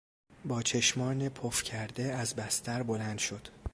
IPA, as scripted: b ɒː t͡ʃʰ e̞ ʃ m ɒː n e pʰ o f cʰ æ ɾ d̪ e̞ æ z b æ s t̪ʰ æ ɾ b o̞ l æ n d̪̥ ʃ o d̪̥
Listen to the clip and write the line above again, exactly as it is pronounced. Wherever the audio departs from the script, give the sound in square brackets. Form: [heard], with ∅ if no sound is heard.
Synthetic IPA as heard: b ɒː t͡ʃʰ e̞ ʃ m ɒː n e pʰ o f cʰ æ ɾ d̪ e̞ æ z b æ s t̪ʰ æ ɾ b o̞ l æ n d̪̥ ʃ o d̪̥